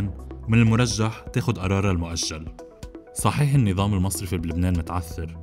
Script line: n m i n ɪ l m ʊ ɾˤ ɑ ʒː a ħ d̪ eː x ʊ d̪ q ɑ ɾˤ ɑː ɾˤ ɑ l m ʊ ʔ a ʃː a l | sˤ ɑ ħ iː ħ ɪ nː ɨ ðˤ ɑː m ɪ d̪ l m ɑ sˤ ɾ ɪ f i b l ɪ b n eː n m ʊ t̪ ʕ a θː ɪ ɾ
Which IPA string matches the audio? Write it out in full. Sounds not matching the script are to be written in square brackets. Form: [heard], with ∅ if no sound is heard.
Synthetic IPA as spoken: n m [ɪ] n ɪ l m ʊ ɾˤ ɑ ʒː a ħ [t̪] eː x ʊ d̪ [ʔ] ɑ ɾˤ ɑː ɾˤ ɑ l m ʊ ʔ a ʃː a l | sˤ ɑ ħ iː ħ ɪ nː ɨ ðˤ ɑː m ɪ [∅] l m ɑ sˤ ɾ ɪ f i b l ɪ b n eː n m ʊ t̪ ʕ a θː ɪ ɾ